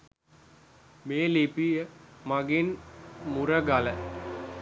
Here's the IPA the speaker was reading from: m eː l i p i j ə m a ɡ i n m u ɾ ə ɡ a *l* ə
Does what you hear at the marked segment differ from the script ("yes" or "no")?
no